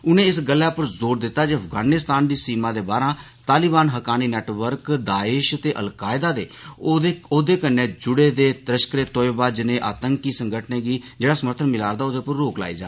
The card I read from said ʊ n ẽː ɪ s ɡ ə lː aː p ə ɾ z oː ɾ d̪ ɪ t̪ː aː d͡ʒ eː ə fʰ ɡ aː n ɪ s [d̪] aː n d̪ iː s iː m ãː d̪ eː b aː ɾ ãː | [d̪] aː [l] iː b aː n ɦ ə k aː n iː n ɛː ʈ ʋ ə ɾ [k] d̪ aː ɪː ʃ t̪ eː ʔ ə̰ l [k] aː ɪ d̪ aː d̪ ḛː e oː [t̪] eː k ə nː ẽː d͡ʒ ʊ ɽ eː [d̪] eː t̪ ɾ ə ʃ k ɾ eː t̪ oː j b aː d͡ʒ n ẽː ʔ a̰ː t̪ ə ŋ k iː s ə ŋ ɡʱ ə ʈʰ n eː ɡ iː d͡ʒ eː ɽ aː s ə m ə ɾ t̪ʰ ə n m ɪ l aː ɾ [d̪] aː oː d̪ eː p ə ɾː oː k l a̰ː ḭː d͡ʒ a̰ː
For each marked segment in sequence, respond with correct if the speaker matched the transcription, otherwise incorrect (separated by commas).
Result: incorrect, incorrect, correct, correct, correct, incorrect, correct, correct